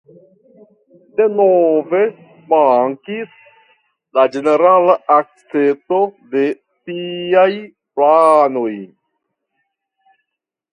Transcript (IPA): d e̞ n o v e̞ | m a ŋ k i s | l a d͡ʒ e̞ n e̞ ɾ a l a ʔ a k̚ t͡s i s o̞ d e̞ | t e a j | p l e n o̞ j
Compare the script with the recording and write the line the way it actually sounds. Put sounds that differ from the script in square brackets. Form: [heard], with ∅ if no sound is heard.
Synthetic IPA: d e̞ n o v e̞ | m a ŋ k i s | l a d͡ʒ e̞ n e̞ ɾ a l a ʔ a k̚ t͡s [e] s o̞ d e̞ | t [i] a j | p l [a] n o̞ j